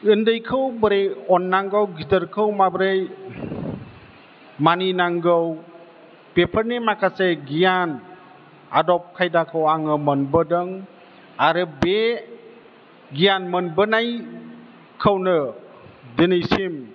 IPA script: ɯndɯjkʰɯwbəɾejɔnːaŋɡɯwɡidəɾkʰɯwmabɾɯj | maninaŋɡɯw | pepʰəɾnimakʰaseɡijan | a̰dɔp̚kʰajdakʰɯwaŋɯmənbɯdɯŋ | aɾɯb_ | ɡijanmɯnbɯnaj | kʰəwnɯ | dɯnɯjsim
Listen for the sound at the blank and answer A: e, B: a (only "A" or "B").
A